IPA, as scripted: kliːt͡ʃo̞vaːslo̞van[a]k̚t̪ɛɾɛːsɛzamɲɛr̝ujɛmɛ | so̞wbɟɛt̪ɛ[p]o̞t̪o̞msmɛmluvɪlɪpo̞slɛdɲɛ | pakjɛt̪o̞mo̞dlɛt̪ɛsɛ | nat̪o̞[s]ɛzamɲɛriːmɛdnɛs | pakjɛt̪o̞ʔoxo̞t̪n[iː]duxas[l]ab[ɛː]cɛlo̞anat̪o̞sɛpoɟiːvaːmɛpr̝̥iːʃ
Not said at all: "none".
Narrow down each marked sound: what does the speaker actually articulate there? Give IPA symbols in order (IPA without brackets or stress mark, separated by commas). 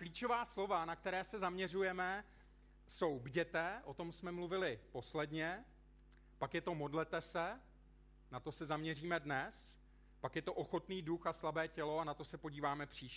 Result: a, ʔ, s, iː, l, ɛː